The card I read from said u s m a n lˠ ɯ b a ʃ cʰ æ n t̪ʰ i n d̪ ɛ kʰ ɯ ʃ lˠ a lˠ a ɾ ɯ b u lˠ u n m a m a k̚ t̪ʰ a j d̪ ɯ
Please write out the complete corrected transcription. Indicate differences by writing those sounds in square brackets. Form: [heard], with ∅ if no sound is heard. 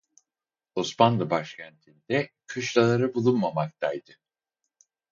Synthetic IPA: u s m a n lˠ ɯ b a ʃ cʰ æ n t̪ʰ i n d̪ ɛ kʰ ɯ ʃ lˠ a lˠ a ɾ ɯ b u lˠ u n m a m a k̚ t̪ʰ a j d̪ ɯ

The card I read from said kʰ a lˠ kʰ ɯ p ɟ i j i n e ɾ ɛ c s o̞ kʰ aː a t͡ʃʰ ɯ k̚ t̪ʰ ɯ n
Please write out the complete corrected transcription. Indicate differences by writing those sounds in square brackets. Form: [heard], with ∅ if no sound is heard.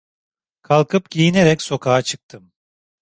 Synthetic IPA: kʰ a lˠ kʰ ɯ p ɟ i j i n e ɾ ɛ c s o̞ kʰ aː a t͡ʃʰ ɯ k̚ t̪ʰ ɯ [m]

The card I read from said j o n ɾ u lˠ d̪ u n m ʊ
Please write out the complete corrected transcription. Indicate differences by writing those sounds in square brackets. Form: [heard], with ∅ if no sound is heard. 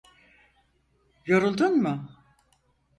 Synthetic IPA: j o [∅] ɾ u lˠ d̪ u n m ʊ

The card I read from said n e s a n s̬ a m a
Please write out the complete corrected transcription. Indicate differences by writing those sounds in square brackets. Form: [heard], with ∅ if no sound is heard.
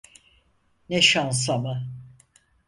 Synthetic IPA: n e [ʃ] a n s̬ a m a

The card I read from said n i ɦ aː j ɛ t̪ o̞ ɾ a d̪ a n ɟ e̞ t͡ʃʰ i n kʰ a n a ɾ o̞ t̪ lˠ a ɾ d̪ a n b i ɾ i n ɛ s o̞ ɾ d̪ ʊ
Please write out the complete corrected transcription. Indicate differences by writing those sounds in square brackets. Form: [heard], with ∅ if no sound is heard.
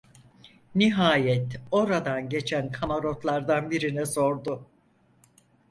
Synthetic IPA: n i ɦ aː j ɛ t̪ o̞ ɾ a d̪ a n ɟ e̞ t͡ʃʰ [æ] n kʰ a [m] a ɾ o̞ t̪ lˠ a ɾ d̪ a n b i ɾ i n ɛ s o̞ ɾ d̪ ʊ

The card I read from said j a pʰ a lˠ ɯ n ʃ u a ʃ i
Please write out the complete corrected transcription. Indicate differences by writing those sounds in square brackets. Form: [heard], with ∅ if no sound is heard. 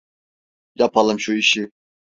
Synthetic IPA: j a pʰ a lˠ ɯ [m] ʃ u [i] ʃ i

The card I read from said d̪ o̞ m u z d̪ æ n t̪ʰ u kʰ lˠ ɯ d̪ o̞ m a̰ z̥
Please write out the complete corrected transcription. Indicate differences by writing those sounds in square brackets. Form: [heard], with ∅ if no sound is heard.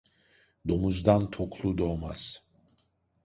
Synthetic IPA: d̪ o̞ m u z d̪ [a] n t̪ʰ [o] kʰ lˠ [u] d̪ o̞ m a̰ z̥

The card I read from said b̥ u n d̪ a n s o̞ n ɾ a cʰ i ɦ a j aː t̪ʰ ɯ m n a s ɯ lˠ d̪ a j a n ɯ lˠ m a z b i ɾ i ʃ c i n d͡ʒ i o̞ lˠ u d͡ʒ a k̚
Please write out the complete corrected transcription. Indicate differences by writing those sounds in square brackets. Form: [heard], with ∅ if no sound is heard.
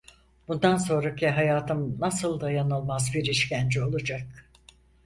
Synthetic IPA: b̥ u n d̪ a n s o̞ n ɾ a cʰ i ɦ a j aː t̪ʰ ɯ m n a s ɯ lˠ d̪ a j a n ɯ lˠ m a z b i ɾ i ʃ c [æ] n d͡ʒ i o̞ lˠ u d͡ʒ a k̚

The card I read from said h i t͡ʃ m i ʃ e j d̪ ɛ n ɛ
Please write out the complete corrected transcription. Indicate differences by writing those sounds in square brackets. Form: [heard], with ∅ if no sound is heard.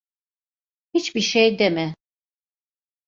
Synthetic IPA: h i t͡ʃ [b] i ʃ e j d̪ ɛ [m] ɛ

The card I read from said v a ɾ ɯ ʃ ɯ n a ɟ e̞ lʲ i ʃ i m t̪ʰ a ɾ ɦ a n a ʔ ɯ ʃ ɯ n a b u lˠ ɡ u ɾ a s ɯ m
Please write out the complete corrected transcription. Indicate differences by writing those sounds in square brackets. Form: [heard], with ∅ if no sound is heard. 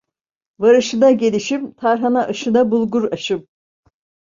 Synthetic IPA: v a ɾ ɯ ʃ ɯ n a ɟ e̞ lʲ i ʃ i m t̪ʰ a ɾ ɦ a n a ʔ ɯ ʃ ɯ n a b u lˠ ɡ u ɾ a [ʃ] ɯ m

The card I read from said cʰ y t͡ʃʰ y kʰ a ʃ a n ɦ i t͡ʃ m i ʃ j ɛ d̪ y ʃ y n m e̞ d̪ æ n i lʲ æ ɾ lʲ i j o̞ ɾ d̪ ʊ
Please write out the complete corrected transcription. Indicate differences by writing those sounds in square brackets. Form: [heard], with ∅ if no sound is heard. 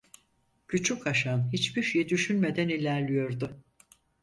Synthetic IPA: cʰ y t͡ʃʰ y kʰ a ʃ a n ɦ i t͡ʃ [b] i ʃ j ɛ d̪ y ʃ y n m e̞ d̪ æ n i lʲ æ ɾ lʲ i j o̞ ɾ d̪ ʊ

